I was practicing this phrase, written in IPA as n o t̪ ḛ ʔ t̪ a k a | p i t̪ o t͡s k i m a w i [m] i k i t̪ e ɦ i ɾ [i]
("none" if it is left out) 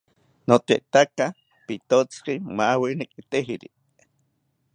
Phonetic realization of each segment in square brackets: n, i

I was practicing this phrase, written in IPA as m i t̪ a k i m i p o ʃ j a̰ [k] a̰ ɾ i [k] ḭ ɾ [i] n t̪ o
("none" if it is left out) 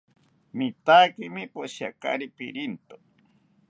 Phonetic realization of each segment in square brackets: k, p, i

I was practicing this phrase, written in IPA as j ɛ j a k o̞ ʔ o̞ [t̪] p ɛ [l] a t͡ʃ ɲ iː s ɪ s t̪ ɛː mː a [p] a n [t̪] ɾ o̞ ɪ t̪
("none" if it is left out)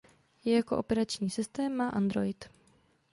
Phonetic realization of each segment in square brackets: none, ɾ, ʔ, d̪

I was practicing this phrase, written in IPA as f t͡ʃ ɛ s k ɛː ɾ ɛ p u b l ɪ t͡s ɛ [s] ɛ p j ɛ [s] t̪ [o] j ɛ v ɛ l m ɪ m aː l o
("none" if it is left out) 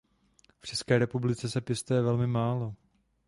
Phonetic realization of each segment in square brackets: s, s, u

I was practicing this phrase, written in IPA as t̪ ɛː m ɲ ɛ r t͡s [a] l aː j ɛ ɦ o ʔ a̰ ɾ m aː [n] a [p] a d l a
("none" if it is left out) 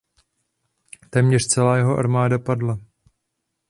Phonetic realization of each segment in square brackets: ɛ, d, p

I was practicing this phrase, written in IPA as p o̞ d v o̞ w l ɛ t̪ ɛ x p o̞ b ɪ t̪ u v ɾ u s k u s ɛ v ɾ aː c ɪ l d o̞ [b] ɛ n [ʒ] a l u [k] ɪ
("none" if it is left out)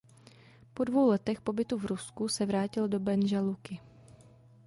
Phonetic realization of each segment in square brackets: b, ʒ, k

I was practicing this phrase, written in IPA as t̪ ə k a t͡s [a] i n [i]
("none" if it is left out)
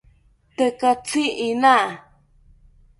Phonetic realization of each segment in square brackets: i, a

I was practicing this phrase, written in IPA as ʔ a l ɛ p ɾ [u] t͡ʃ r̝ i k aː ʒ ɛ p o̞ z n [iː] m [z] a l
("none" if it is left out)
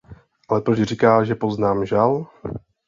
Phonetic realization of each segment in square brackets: o, aː, ʒ

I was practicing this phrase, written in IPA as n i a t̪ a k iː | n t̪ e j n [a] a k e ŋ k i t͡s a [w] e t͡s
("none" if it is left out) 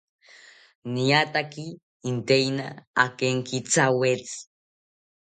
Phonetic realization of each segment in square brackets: a, w

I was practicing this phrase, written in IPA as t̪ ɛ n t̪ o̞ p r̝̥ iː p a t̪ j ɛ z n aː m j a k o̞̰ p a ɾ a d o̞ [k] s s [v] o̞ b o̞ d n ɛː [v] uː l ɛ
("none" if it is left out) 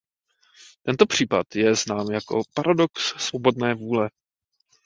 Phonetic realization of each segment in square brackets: k, v, v

